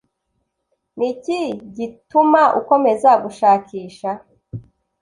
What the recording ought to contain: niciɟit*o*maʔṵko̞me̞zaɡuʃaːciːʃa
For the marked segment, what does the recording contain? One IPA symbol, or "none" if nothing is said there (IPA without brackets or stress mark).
u